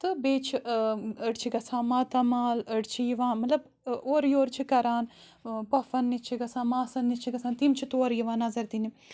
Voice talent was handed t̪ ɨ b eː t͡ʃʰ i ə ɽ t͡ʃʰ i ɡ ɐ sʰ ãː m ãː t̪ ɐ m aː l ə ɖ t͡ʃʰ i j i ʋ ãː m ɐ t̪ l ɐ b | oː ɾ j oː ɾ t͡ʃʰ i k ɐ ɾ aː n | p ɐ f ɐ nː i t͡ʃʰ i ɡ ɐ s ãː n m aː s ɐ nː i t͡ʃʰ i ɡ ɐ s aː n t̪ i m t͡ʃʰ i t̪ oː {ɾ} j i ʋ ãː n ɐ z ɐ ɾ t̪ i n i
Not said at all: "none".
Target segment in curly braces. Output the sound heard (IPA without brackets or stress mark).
ɾ